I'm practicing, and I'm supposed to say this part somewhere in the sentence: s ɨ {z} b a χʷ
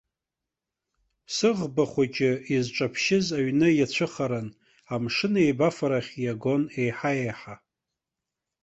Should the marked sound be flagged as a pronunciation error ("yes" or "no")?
yes